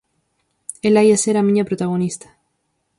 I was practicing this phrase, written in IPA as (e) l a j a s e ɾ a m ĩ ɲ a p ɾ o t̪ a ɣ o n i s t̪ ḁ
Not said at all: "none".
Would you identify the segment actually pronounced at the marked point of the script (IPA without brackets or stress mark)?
e